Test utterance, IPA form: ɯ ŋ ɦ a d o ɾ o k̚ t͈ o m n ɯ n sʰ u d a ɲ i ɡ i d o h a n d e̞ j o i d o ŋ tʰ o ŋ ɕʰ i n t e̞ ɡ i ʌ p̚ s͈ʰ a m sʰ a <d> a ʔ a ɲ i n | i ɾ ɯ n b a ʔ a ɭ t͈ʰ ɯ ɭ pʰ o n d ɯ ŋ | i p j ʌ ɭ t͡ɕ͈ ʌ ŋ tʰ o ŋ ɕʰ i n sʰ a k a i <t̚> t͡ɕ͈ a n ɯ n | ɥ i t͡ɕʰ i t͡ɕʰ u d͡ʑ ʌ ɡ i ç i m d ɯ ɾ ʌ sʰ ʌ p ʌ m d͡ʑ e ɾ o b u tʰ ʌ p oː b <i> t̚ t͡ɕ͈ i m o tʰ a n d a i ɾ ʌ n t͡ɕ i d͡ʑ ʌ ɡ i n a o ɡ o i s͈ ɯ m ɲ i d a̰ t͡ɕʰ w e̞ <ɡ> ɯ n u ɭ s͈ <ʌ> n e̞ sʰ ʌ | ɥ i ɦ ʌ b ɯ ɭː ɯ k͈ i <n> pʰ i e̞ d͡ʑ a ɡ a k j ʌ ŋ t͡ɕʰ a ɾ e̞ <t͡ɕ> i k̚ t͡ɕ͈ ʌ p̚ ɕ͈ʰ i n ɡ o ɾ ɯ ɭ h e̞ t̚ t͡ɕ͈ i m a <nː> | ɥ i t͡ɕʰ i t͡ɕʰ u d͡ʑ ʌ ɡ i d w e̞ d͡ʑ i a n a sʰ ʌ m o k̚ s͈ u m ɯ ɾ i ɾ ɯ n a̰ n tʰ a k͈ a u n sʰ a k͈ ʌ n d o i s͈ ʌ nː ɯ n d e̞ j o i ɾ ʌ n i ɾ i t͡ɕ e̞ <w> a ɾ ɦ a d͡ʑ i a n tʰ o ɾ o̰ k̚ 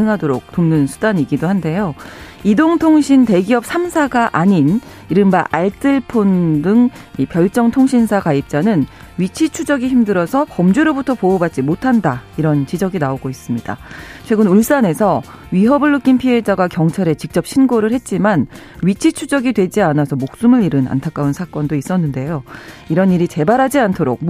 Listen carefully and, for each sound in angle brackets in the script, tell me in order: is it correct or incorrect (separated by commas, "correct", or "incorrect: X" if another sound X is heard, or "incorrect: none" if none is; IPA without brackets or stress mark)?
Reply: incorrect: ɡ, incorrect: p̚, incorrect: a, correct, incorrect: a, correct, correct, incorrect: n, incorrect: b